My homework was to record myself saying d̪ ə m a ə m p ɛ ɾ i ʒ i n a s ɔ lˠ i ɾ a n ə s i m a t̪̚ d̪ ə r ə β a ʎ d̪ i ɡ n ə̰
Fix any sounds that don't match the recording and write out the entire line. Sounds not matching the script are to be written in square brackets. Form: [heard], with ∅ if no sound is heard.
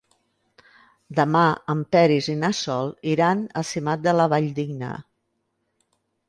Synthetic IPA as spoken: d̪ ə m a ə m p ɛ ɾ i [z] i n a s ɔ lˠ i ɾ a n ə s i m a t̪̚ d̪ ə [l] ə β a ʎ d̪ i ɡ n ə̰